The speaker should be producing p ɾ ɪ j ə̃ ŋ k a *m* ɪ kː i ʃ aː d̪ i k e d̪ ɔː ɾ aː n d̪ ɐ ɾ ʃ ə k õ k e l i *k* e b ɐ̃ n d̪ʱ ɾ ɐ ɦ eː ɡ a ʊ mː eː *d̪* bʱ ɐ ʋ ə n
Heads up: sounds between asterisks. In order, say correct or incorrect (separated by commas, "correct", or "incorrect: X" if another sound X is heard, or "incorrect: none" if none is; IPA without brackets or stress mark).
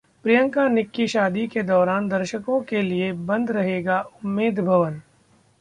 incorrect: n, incorrect: none, correct